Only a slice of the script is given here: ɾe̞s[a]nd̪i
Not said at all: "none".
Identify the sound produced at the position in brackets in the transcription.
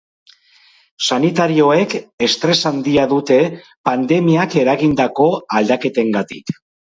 a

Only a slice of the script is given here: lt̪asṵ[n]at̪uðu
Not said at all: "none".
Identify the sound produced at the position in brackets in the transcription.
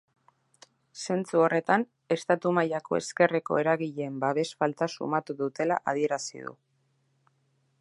m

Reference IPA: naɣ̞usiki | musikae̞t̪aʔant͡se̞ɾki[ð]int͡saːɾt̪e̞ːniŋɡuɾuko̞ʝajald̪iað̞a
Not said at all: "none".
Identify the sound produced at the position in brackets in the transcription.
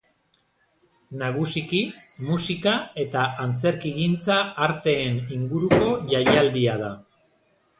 ɣ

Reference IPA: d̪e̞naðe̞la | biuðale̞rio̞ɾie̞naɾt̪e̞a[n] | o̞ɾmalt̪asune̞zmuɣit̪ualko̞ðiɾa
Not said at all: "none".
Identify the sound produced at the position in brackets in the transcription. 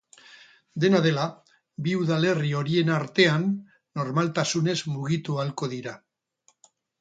nː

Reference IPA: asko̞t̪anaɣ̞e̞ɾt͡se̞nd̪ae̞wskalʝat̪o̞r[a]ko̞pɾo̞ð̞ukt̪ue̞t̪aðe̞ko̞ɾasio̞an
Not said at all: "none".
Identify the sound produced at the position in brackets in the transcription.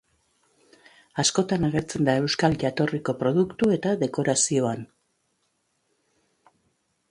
i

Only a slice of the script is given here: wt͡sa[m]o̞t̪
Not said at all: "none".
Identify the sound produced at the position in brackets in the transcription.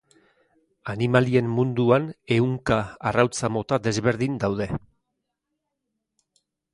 m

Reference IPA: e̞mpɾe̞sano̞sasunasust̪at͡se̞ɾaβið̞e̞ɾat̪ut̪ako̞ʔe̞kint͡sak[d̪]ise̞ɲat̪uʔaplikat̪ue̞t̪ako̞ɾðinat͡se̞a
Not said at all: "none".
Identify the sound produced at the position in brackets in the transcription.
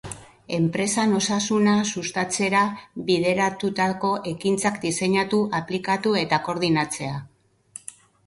d̪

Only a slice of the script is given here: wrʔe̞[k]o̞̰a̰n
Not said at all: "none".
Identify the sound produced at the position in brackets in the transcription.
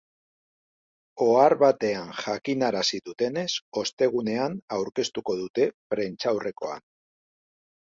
k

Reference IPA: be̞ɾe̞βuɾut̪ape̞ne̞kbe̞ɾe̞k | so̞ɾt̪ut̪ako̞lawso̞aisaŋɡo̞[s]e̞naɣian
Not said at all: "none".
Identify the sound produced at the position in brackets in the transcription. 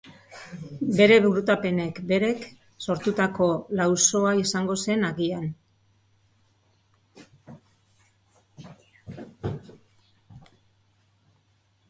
s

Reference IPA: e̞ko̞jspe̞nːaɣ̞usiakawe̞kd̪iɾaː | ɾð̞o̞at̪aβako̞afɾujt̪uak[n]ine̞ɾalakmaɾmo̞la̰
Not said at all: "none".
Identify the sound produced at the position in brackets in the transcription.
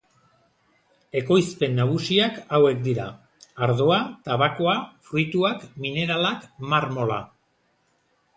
m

